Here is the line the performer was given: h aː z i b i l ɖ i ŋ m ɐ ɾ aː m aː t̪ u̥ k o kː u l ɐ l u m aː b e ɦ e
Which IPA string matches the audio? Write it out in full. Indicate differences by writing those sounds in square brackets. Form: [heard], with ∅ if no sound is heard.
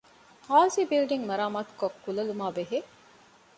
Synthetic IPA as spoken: h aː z i b i l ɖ i ŋ m ɐ ɾ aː m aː t̪ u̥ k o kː u l ɐ l u m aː b e ɦ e